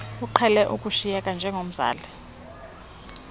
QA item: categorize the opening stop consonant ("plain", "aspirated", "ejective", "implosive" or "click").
click